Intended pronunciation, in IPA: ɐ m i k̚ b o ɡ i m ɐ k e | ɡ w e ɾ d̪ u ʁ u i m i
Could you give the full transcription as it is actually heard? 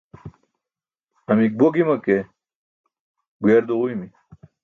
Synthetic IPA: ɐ m i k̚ b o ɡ i m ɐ k e | ɡ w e ɾ d̪ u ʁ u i m i